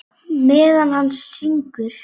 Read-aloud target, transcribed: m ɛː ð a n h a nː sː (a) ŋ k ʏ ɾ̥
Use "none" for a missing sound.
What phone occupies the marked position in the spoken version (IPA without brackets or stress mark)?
i